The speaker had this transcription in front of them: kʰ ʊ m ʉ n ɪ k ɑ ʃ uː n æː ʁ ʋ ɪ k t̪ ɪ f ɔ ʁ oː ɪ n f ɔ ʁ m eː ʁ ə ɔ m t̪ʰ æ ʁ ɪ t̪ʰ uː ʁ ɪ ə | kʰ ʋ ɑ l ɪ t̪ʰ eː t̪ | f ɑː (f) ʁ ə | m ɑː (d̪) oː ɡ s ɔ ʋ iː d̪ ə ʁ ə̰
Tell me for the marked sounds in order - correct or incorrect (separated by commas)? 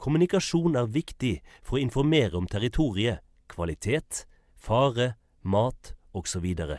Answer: incorrect, incorrect